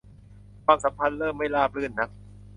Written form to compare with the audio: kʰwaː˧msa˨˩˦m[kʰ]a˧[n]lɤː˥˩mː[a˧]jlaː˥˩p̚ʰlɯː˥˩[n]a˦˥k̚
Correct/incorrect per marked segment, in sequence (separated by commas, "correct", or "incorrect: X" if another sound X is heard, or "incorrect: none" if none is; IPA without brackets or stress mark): incorrect: pʰ, correct, incorrect: a˥˩, incorrect: nː